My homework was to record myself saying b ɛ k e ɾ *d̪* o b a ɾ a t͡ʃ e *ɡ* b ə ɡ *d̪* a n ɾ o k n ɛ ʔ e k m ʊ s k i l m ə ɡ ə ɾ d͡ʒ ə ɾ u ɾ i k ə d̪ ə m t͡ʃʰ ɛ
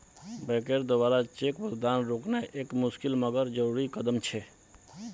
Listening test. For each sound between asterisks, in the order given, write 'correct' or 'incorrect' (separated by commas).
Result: correct, incorrect, correct